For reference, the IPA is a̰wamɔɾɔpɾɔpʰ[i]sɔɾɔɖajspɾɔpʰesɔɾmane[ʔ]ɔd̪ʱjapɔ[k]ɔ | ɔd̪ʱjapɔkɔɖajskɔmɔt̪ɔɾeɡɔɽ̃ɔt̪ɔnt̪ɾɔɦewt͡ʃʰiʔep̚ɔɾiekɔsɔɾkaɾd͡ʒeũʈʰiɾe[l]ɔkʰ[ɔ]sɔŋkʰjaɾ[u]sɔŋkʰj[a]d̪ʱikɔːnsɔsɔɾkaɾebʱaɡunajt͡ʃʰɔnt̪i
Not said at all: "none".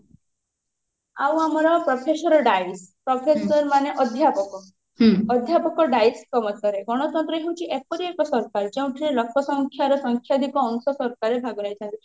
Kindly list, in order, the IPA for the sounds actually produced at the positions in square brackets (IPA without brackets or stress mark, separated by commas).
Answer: e, ʔ, k, l, ɔ, ɔ, a